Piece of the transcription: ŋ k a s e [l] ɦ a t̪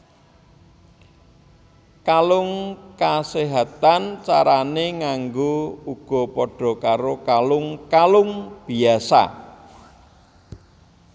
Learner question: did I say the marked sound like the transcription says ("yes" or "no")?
no